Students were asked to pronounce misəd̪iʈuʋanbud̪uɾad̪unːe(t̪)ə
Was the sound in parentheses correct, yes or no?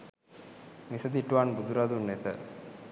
yes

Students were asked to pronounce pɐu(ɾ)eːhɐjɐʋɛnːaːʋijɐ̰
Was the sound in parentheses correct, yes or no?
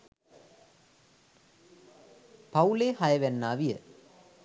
no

